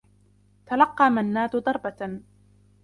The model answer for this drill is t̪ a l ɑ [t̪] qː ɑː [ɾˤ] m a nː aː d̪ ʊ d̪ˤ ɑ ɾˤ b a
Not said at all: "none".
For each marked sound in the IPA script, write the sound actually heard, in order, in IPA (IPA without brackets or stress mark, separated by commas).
none, none